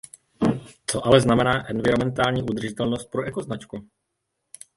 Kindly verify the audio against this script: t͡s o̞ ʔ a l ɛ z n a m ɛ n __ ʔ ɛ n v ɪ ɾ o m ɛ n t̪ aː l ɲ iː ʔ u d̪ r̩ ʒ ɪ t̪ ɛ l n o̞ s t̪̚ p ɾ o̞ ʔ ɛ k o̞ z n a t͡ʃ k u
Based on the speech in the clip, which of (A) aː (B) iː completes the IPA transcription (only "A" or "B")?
A